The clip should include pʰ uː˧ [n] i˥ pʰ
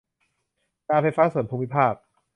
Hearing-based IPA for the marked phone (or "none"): m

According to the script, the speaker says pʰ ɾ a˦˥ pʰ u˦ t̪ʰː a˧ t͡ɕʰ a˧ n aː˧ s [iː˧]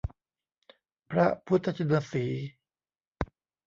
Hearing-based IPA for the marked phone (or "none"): iː˩˦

